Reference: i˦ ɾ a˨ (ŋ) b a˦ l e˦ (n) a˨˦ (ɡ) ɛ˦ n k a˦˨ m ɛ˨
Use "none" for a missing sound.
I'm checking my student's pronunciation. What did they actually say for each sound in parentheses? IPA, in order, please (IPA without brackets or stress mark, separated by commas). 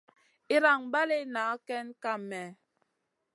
ŋ, n, k